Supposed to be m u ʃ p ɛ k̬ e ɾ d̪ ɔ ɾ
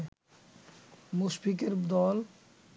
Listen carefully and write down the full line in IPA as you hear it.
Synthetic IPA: m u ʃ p i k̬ e ɾ d̪ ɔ l

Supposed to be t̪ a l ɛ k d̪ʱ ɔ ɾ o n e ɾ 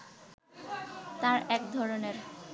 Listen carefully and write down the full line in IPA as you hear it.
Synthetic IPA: t̪ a ɾ ɛ k d̪ʱ ɔ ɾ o n e ɾ

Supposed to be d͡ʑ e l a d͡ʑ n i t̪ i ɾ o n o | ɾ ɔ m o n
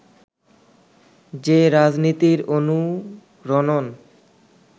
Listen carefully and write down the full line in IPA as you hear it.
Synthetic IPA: d͡ʑ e ɾ a d͡ʑ n i t̪ i ɾ o n u | ɾ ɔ n o n

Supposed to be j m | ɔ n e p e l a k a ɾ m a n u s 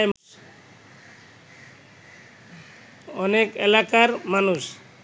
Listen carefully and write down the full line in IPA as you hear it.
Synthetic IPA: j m | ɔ n e k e l a k a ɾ m a n u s

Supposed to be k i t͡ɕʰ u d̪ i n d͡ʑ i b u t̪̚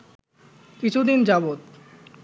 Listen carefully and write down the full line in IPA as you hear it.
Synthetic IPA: k i t͡ɕʰ u d̪ i n d͡ʑ a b o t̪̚

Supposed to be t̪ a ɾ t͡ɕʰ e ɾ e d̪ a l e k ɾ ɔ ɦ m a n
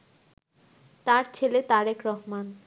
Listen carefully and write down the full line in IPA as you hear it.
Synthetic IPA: t̪ a ɾ t͡ɕʰ e l e t̪ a ɾ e k ɾ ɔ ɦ m a n

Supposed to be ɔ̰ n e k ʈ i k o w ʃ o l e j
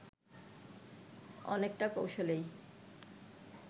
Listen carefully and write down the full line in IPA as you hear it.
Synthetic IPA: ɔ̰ n e k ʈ a k o w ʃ o l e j

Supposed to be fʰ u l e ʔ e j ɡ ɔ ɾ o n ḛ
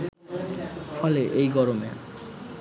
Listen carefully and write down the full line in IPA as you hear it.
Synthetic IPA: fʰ ɔ l e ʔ e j ɡ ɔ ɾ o m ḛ

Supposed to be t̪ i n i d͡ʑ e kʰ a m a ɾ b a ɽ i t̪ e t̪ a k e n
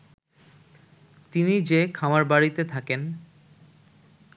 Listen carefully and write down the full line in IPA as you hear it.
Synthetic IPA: t̪ i n i d͡ʑ e kʰ a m a ɾ b a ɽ i t̪ e t̪ʰ a k e n

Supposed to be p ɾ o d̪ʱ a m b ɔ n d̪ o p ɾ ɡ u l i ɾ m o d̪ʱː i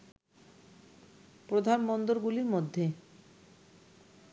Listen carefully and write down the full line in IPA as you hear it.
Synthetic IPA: p ɾ o d̪ʱ a n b ɔ n d̪ o ɾ ɡ u l i ɾ m o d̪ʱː e

